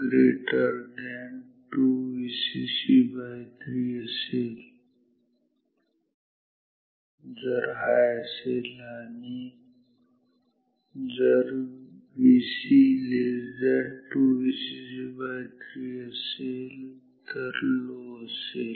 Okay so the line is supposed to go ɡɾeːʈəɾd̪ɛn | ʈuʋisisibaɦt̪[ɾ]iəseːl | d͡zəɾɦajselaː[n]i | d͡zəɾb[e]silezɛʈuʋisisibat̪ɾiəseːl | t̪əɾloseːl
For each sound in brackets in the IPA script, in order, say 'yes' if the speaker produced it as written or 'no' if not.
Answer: yes, yes, no

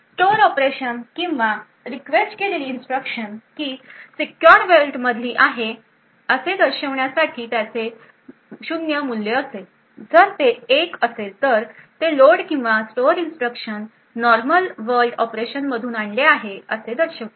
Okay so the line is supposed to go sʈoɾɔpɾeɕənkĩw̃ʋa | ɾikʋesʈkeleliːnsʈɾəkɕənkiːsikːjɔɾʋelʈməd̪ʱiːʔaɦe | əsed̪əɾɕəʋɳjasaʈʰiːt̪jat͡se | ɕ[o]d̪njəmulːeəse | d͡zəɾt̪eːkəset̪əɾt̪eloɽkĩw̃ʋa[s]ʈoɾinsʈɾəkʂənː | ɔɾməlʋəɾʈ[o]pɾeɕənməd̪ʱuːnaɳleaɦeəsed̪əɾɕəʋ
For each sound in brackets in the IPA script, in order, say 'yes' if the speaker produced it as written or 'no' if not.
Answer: no, yes, no

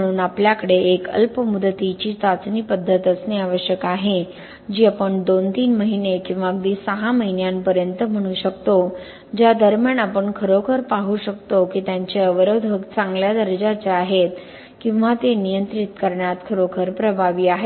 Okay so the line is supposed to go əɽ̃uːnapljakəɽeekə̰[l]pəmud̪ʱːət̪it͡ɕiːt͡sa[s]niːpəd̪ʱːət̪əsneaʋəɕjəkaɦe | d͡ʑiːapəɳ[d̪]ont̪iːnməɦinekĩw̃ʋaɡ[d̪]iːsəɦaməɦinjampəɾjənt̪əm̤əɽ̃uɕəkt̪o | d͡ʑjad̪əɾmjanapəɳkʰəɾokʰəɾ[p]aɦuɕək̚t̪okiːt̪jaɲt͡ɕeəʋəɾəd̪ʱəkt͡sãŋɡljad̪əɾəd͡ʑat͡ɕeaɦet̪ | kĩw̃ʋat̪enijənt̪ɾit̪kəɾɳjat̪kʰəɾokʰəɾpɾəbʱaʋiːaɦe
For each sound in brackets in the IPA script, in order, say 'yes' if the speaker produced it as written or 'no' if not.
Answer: yes, no, yes, yes, yes

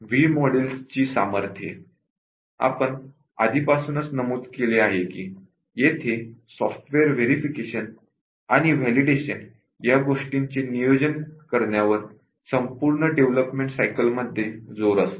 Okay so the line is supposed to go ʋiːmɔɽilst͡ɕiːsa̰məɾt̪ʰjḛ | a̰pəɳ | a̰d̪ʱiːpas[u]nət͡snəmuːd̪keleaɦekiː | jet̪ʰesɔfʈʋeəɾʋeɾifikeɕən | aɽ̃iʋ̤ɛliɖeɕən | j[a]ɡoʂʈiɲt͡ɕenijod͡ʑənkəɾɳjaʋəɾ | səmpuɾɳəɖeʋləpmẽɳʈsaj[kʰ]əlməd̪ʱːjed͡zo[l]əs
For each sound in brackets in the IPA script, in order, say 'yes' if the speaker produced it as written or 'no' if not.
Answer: no, yes, no, no

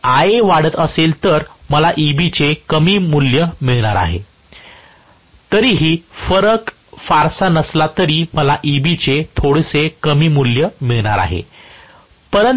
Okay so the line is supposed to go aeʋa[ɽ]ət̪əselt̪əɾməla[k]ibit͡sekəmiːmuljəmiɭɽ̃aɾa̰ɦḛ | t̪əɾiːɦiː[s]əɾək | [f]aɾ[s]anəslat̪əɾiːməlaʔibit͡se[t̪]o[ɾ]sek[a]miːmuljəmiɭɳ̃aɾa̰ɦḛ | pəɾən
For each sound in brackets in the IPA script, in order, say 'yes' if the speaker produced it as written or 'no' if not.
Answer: yes, no, no, yes, yes, no, no, no

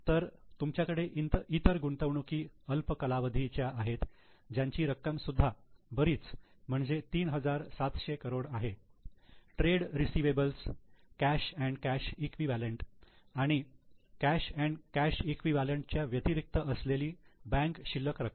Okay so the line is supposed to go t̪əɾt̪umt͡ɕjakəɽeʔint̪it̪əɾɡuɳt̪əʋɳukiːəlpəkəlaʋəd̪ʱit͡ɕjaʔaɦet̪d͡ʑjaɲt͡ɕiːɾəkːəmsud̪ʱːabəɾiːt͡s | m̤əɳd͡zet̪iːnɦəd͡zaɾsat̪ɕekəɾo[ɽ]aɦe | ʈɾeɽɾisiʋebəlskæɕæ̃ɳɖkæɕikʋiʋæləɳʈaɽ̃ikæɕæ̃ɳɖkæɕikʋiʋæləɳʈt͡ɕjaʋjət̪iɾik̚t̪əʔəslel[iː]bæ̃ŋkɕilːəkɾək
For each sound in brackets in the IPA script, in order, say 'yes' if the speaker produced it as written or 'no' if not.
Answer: yes, yes

